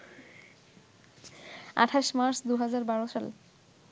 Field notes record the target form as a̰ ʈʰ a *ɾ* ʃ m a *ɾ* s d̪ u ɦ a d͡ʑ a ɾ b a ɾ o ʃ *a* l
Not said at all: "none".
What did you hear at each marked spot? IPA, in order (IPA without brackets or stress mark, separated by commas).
none, ɾ, a